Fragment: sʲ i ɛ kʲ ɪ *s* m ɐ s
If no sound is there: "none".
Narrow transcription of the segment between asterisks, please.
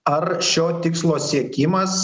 none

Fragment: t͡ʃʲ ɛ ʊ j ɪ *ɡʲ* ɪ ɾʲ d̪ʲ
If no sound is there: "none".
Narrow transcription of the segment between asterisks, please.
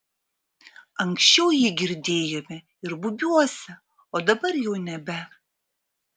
ɡʲ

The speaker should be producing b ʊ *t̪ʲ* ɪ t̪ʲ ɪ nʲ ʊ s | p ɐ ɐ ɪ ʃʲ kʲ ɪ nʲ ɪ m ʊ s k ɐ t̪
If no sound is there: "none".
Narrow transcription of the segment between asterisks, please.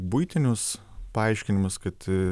none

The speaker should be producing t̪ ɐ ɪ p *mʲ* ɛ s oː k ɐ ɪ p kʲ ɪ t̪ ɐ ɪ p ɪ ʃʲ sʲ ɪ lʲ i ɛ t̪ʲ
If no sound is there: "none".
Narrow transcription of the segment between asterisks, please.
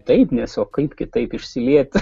nʲ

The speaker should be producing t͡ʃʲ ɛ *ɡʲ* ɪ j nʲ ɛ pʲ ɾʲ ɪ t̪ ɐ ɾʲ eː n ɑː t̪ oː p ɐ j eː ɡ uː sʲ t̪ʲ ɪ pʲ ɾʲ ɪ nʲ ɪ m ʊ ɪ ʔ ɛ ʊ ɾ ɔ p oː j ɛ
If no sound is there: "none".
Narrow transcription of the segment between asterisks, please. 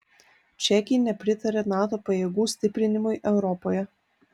kʲ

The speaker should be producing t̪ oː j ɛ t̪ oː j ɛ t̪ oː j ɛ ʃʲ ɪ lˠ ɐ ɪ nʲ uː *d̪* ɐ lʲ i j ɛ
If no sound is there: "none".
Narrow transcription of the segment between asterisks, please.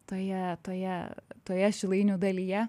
d̪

